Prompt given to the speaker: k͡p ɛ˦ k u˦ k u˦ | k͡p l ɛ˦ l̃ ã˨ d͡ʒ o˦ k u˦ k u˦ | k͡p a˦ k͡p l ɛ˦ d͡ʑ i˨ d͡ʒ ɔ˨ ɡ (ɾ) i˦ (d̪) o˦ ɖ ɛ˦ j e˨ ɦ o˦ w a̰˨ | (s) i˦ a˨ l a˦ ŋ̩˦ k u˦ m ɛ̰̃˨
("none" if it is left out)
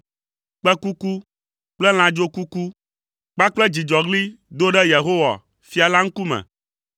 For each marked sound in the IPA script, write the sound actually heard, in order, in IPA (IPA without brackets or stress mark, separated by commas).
l, d̪, f